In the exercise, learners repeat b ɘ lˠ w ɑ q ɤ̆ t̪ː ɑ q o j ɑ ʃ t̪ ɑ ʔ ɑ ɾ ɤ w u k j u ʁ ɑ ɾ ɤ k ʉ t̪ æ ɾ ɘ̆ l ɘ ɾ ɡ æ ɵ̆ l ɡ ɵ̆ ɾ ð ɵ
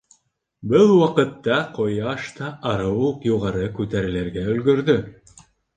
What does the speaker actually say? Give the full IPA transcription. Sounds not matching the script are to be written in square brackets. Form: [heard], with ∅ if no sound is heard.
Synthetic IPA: b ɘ lˠ w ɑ q ɤ̆ t̪ː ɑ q o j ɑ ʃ t̪ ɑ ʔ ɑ ɾ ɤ w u [q] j u ʁ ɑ ɾ ɤ k ʉ t̪ æ ɾ ɘ̆ l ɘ ɾ ɡ æ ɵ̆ l ɡ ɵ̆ ɾ ð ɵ